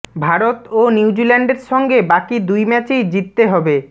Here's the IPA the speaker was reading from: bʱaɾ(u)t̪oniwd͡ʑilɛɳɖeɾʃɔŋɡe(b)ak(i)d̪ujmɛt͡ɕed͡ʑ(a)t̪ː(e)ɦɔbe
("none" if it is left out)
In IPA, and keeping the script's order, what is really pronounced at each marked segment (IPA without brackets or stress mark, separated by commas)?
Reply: o, b, i, i, e